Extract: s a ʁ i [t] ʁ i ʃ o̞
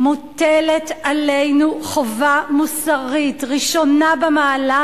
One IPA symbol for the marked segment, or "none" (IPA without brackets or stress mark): t